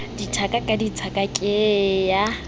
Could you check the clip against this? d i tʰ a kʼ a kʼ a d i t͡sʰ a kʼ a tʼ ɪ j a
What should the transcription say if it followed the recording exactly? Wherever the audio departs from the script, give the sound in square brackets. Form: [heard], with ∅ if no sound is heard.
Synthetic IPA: d i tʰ a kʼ a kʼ a d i t͡sʰ a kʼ a [kʼ] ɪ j a